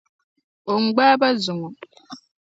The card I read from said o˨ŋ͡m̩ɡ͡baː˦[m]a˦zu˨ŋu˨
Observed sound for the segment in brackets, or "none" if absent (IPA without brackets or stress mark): b